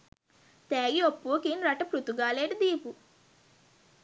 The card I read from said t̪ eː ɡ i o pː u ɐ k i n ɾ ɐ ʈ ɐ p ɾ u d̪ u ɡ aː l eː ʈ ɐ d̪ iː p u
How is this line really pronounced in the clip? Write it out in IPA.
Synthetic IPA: t̪ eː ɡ i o pː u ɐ k i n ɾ ɐ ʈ ɐ p ɾ u t̪ u ɡ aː l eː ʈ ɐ d̪ iː p u